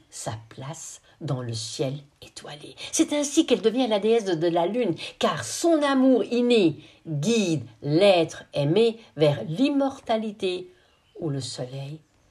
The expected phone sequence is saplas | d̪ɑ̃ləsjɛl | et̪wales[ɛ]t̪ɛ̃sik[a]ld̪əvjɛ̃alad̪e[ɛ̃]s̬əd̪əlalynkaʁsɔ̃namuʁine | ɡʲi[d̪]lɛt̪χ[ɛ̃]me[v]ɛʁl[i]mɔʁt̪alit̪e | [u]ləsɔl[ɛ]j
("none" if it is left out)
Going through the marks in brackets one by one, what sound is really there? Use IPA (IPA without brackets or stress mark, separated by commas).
ɛ, ɛ, ɛ, d̪, ɛ, v, i, u, ɛ